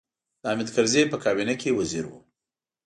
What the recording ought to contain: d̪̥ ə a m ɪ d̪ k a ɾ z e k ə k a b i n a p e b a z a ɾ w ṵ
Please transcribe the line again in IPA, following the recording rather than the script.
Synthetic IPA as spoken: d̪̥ ə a m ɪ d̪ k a ɾ z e p ə k ɑ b i n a k e w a z i ɾ w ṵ

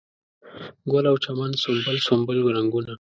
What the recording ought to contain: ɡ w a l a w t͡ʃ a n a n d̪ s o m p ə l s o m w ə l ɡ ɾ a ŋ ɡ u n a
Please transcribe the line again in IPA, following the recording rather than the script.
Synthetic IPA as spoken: ɡ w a l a w t͡ʃ a m a n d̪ s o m b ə l s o m b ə l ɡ ɾ a ŋ ɡ u n a

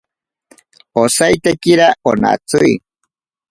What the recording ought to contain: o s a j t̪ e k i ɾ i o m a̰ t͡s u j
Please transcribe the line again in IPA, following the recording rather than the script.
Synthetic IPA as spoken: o s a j t̪ e k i ɾ a o n a̰ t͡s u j

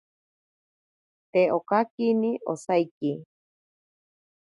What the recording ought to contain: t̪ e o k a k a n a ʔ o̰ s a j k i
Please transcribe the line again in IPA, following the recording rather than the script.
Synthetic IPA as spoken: t̪ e o k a k i n i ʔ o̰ s a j k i

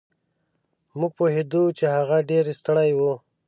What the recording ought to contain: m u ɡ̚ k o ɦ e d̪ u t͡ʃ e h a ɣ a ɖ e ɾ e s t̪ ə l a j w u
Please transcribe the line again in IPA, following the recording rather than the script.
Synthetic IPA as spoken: m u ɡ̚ p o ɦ e d̪ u t͡ʃ e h a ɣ a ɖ e ɾ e s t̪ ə ɽ a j w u

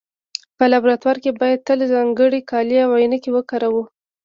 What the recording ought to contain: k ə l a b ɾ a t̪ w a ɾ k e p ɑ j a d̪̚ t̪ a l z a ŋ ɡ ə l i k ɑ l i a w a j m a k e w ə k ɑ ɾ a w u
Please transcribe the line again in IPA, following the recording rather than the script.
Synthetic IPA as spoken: p ə l a b ɾ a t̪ w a ɾ k e b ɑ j a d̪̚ t̪ ə l z ɑ ŋ ɡ ə ɽ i k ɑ l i a w a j n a k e w ə k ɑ ɾ a w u

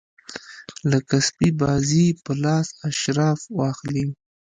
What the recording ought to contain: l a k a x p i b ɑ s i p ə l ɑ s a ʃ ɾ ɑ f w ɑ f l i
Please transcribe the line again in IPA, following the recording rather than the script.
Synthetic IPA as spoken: l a k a s p i b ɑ z i p ə l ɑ s a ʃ ɾ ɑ f w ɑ x l i

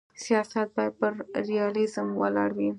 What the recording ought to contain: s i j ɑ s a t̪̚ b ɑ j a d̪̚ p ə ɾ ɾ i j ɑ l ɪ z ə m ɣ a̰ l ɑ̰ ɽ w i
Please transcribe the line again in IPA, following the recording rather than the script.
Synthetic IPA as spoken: s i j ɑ s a t̪̚ b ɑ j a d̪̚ p ə ɾ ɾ i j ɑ l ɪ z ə m w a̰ l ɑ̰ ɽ w i

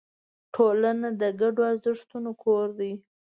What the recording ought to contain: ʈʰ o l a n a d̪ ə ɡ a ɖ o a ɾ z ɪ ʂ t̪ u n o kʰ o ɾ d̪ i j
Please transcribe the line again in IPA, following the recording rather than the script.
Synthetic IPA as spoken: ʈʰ o l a n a d̪ ə ɡ a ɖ o a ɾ z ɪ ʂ t̪ u n o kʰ o ɾ d̪ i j

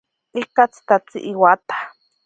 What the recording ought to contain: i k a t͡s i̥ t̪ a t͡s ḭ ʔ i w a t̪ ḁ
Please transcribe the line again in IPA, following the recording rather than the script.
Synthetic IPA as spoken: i k a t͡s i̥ t̪ a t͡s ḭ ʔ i w a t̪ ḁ

